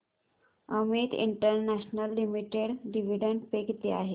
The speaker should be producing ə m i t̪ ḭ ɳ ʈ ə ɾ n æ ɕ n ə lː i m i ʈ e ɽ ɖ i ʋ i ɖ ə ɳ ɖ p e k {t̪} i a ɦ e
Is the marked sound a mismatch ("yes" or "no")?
no